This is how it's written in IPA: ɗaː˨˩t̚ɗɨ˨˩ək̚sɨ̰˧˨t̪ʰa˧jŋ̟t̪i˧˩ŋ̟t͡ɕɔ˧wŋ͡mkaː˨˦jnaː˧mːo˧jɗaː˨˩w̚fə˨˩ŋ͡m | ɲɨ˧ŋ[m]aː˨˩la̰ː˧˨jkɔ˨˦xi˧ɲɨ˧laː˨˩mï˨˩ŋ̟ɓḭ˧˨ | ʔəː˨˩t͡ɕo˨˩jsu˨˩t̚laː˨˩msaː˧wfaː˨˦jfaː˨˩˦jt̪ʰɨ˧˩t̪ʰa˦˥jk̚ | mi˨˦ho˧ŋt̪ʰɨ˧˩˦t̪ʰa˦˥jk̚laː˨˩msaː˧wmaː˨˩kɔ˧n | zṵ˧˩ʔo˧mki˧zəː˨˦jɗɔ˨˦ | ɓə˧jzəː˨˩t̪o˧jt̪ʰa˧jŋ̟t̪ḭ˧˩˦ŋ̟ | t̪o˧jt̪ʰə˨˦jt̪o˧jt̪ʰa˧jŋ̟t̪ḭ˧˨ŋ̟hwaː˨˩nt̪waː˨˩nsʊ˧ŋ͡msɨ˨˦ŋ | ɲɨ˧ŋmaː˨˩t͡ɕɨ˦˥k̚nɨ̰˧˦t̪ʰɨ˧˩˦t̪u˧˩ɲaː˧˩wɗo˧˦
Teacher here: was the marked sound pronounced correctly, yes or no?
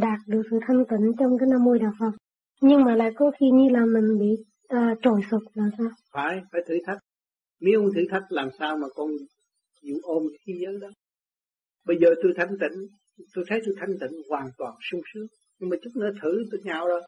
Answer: yes